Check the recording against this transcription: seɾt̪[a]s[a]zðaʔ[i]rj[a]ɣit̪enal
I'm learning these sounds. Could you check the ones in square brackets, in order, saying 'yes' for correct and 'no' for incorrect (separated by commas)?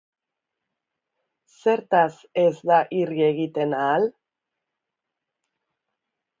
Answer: yes, no, yes, no